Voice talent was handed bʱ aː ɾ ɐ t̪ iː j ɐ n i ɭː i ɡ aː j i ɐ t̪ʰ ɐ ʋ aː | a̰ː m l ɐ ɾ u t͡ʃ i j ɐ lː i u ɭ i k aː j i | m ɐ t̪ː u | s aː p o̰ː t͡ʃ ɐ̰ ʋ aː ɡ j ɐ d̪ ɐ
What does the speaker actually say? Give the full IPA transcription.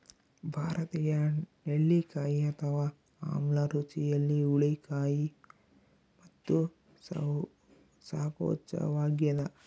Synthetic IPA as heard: bʱ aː ɾ ɐ t̪ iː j ɐ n e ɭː i k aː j i ɐ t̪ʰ ɐ ʋ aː | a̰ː m l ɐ ɾ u t͡ʃ i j ɐ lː i u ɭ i k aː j i | m ɐ t̪ː u | s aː p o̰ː t͡ʃ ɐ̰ ʋ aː ɡ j ɐ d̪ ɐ